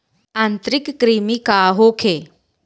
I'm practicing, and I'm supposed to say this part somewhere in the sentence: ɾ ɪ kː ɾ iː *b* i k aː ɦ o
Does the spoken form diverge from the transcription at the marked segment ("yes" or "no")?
yes